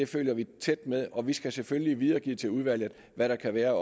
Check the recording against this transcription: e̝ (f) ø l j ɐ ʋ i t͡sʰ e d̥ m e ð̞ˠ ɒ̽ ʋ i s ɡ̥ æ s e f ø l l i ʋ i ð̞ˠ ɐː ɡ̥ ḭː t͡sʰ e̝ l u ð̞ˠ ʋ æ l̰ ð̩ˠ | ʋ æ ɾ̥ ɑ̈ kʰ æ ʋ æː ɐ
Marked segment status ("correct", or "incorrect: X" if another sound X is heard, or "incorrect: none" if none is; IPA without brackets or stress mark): correct